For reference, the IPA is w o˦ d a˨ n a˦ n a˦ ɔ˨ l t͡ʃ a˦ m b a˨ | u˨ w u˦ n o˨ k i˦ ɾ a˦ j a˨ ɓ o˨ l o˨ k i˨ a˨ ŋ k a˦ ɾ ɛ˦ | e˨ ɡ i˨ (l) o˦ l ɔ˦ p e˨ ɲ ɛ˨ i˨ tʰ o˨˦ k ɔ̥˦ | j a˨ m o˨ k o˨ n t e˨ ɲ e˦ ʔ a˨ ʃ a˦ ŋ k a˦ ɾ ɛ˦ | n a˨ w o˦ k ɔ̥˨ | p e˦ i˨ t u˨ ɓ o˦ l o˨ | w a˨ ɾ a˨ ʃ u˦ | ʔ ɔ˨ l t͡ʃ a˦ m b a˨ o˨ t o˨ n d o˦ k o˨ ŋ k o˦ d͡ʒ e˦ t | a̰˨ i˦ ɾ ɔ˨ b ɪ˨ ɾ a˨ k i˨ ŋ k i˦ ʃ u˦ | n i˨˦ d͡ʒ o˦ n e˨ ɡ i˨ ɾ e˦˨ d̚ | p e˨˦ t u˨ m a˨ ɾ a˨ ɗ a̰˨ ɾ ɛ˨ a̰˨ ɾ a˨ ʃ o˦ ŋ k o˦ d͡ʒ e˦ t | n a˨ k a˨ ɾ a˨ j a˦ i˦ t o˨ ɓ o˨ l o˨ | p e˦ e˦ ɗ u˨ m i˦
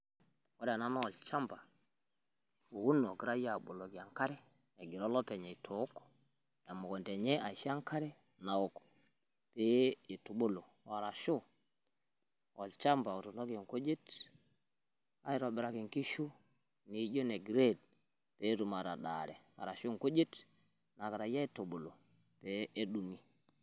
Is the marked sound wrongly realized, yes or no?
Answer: yes